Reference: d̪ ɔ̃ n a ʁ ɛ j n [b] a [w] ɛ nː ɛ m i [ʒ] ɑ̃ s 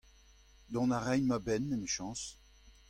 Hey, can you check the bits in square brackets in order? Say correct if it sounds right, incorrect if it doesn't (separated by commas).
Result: incorrect, incorrect, incorrect